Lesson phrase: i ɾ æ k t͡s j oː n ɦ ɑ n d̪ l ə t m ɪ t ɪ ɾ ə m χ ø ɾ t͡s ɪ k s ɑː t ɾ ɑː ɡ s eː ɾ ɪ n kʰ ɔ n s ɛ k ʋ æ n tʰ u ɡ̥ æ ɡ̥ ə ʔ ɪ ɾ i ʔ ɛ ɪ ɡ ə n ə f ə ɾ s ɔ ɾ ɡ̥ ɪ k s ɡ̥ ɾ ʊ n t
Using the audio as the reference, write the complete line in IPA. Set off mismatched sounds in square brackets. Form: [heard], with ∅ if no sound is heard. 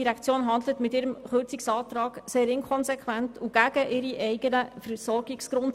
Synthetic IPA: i ɾ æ k t͡s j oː n ɦ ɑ n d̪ l ə t m ɪ t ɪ ɾ ə m χ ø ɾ t͡s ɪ k s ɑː t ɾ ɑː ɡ s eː ɾ ɪ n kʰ ɔ n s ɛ k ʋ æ n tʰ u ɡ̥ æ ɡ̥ ə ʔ ɪ ɾ i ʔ ɛ ɪ ɡ ə n ə f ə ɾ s ɔ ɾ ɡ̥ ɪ k s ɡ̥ ɾ ʊ n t